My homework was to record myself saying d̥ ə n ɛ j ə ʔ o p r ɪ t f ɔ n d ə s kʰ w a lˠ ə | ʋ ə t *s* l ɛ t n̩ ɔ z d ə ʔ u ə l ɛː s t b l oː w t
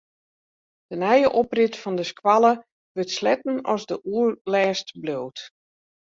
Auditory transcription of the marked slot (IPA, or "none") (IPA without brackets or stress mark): s